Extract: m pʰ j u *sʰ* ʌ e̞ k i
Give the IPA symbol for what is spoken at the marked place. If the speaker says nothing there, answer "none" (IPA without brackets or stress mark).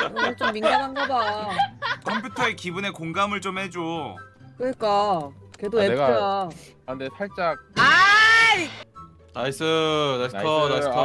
tʰ